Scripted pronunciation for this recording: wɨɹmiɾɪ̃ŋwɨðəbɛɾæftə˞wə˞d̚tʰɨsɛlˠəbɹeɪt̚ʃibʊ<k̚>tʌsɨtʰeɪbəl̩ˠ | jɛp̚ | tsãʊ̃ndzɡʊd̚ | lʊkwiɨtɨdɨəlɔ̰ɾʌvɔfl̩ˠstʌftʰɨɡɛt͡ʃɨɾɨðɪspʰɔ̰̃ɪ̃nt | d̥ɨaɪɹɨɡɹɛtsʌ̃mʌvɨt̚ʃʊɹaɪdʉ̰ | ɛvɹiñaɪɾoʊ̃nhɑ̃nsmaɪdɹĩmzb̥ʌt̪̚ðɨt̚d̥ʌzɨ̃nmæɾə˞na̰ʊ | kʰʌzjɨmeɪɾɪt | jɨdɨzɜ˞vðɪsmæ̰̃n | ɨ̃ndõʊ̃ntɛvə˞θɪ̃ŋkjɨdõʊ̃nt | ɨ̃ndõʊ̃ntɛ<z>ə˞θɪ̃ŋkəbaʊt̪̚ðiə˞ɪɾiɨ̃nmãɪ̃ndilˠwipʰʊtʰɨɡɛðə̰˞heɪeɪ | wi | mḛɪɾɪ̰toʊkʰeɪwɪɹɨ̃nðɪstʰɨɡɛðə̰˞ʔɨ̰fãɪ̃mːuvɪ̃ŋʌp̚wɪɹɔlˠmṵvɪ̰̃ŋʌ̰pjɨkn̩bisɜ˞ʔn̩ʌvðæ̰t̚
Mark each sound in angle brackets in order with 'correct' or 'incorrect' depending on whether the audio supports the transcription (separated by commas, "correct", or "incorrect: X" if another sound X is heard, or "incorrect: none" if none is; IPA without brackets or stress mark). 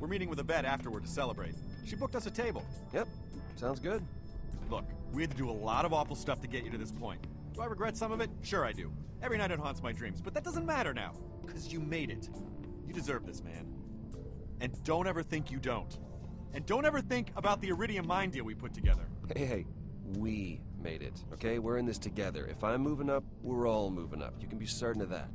correct, incorrect: v